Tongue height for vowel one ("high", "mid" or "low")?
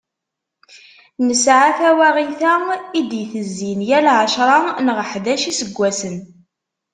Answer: mid